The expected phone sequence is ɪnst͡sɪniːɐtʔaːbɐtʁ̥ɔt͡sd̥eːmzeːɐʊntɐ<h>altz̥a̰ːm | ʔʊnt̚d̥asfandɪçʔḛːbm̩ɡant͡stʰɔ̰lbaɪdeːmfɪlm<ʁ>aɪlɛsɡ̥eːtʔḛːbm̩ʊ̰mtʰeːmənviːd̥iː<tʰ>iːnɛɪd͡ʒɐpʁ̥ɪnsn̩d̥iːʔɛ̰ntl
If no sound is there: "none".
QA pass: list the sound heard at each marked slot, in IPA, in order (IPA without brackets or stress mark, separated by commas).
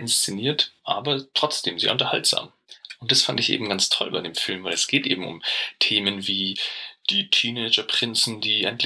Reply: h, v, tʰ